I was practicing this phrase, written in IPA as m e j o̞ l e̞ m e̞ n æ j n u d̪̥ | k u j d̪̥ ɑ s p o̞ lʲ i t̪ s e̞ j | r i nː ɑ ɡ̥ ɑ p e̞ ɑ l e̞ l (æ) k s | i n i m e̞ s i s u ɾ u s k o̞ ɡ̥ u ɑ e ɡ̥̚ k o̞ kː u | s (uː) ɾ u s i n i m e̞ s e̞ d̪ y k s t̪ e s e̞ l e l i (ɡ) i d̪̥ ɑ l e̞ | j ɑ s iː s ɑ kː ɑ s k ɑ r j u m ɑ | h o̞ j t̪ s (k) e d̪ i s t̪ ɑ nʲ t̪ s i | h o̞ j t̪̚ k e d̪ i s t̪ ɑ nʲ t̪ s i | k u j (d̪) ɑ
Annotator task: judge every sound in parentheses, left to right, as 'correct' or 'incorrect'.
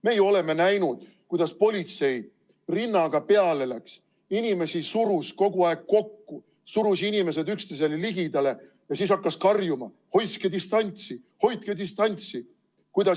correct, incorrect: u, correct, correct, correct

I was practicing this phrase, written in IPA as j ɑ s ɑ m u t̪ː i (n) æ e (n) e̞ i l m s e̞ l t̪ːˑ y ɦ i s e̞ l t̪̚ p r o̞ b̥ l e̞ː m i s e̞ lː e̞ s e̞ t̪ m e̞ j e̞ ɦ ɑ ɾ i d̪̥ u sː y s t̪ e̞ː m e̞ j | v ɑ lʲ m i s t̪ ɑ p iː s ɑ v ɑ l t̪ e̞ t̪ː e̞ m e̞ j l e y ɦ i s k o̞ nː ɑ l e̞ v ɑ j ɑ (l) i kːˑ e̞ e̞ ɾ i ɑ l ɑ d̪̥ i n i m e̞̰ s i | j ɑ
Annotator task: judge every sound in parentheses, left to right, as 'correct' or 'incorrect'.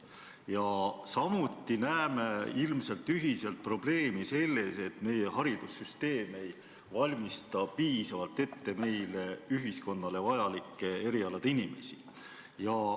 correct, incorrect: m, correct

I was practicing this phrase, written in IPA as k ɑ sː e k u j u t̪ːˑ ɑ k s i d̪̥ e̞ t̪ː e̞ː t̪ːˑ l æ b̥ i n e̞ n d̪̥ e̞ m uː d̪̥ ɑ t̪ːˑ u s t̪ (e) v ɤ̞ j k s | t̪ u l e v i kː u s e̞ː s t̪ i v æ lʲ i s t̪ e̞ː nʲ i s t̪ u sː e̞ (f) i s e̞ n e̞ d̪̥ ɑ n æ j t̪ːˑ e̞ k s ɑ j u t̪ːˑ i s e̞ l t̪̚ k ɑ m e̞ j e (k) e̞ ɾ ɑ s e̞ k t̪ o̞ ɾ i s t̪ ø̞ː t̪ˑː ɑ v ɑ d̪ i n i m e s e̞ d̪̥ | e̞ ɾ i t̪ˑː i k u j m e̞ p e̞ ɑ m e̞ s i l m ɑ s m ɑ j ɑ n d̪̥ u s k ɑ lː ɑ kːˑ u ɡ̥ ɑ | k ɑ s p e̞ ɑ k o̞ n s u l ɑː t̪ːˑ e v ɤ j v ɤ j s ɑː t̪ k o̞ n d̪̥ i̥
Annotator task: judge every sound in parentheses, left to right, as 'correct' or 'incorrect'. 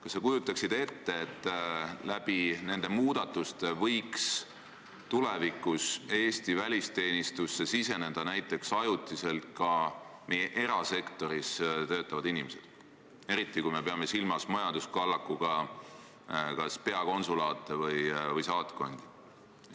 correct, incorrect: s, incorrect: ʔ

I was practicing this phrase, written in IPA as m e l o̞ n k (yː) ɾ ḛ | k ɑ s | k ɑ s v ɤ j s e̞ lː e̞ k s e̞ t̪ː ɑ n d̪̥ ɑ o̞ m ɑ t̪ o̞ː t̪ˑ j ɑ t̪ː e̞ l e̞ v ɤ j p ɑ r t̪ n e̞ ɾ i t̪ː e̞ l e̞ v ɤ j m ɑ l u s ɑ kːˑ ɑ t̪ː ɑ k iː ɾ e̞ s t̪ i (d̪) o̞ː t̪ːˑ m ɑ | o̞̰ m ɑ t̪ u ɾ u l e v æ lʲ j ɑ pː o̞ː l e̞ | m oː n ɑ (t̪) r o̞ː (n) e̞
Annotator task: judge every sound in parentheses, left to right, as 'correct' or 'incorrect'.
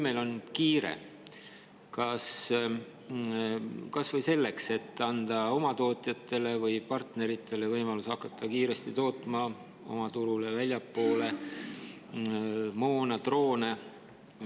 incorrect: iː, incorrect: t̪, correct, correct

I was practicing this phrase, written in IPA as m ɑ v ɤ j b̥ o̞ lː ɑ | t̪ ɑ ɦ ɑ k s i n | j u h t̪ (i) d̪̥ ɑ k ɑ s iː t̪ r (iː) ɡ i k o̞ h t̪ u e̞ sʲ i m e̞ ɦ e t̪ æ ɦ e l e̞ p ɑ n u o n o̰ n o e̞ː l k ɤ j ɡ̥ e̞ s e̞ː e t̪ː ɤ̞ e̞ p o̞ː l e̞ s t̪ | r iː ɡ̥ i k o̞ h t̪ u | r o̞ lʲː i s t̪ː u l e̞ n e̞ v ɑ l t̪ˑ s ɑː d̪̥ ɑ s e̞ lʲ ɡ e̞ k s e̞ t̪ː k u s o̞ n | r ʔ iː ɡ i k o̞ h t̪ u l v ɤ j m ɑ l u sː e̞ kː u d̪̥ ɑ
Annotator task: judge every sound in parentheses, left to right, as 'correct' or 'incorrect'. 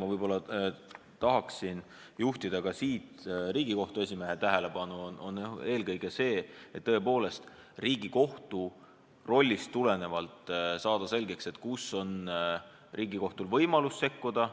correct, correct

